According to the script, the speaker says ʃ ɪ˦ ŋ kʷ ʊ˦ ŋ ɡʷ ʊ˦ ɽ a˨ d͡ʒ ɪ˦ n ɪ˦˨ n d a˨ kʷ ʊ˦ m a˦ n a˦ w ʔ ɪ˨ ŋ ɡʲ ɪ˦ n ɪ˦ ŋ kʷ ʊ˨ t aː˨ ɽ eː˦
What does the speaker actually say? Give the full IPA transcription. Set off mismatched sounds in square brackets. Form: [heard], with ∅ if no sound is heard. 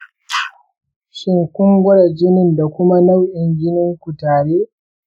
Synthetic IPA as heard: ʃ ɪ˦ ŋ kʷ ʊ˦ ŋ ɡʷ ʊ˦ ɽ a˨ d͡ʒ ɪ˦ n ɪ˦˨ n d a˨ kʷ ʊ˦ m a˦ n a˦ w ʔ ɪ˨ ŋ ɡʲ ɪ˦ n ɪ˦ ŋ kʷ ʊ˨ t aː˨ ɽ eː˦

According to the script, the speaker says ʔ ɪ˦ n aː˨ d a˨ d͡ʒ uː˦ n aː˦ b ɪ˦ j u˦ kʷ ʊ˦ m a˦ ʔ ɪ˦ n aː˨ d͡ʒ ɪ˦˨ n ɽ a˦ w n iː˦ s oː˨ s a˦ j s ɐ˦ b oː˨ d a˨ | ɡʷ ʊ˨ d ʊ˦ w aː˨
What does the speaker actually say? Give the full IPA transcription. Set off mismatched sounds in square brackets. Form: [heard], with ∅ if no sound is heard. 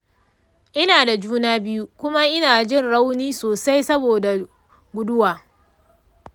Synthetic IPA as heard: ʔ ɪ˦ n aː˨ d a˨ d͡ʒ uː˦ n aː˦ b ɪ˦ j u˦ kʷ ʊ˦ m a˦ ʔ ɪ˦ n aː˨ d͡ʒ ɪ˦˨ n ɽ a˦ w n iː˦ s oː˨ s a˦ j s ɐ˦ b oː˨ d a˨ | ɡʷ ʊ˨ d ʊ˦ w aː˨

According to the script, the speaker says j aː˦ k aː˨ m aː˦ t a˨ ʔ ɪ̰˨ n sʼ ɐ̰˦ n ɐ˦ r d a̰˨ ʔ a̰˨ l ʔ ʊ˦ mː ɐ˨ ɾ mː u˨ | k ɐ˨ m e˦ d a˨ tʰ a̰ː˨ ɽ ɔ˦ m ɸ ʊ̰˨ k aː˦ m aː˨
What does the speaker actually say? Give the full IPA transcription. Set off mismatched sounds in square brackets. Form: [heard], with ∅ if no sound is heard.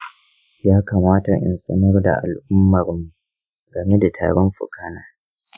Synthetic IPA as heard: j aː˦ k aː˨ m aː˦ t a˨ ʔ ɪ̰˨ n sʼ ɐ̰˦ n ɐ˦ r d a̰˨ ʔ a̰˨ l ʔ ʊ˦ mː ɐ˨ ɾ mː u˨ | [ɡ] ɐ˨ m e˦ d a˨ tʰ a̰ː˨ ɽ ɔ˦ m ɸ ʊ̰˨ k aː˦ [n] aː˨

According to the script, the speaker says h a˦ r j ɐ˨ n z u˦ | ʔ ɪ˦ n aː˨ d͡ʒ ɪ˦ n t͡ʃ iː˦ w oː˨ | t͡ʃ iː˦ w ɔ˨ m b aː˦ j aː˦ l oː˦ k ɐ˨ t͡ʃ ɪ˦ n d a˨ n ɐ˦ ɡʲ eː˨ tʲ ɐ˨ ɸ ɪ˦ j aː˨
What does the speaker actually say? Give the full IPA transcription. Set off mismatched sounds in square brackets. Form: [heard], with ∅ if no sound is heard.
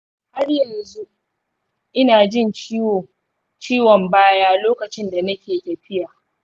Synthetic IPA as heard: h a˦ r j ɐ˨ n z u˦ | ʔ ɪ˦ n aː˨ d͡ʒ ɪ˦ n t͡ʃ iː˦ w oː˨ | t͡ʃ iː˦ w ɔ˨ m b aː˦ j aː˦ l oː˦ k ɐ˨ t͡ʃ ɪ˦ n d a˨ n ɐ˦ [kʲ] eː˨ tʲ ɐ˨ ɸ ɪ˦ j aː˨

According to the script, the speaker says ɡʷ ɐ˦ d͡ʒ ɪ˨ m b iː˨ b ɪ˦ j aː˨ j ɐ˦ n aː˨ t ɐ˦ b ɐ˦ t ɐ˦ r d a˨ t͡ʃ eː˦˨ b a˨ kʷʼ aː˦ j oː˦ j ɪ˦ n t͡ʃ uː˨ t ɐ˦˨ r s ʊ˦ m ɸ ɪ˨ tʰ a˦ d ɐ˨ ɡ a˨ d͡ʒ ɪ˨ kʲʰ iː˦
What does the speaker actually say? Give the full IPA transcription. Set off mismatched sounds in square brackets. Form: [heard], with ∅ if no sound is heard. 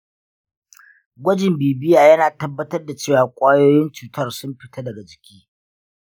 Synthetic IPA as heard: ɡʷ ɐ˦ d͡ʒ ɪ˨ m b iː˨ b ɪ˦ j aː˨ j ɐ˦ n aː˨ t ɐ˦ [bː] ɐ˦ t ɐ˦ r d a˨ t͡ʃ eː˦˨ [w] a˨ kʷʼ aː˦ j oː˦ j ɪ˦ n t͡ʃ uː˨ t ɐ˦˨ r s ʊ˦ m ɸ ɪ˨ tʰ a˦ d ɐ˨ ɡ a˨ d͡ʒ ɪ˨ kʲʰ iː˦

